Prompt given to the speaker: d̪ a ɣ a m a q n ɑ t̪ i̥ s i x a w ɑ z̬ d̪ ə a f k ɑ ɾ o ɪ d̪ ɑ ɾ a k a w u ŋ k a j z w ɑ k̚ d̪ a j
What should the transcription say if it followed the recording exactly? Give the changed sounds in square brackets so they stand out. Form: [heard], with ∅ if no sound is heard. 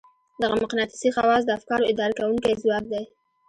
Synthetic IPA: d̪ a ɣ a m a q n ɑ t̪ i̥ s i x a w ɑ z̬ d̪ ə a f k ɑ ɾ o ɪ d̪ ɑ ɾ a k a w u ŋ k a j z w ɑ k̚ d̪ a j